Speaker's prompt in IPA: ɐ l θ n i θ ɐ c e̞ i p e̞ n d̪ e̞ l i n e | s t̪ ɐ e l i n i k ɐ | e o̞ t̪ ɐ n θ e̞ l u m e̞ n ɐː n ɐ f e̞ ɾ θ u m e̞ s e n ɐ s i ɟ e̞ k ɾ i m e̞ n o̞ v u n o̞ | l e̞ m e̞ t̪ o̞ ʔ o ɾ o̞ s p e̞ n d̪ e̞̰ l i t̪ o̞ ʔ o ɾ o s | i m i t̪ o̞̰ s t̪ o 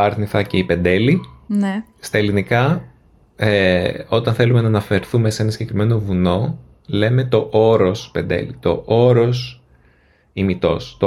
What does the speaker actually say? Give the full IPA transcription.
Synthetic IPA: ɐ ɾ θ n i θ ɐ c e̞ i p e̞ n d̪ e̞ l i n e | s t̪ ɐ e l i n i k ɐ | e o̞ t̪ ɐ n θ e̞ l u m e̞ n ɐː n ɐ f e̞ ɾ θ u m e̞ s e n ɐ s i ɟ e̞ k ɾ i m e̞ n o̞ v u n o̞ | l e̞ m e̞ t̪ o̞ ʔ o ɾ o̞ s p e̞ n d̪ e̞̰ l i t̪ o̞ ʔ o ɾ o s | i m i t̪ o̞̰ s t̪ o